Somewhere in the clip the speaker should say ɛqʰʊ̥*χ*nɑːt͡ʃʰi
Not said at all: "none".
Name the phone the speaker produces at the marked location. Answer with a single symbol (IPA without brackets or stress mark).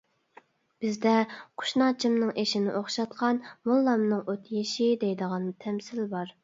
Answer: ʃ